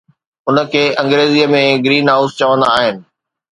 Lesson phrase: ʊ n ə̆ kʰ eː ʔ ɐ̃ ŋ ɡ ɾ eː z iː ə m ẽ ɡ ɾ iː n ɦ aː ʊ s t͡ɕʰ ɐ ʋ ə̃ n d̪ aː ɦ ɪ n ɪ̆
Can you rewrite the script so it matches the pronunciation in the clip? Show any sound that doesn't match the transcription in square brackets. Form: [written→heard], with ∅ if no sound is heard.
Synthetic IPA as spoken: ʊ n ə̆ kʰ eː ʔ ɐ̃ ŋ ɡ ɾ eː z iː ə m ẽ ɡ ɾ iː n ɦ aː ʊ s [t͡ɕʰ→t͡ɕ] ɐ ʋ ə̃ n d̪ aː ɦ ɪ n ɪ̆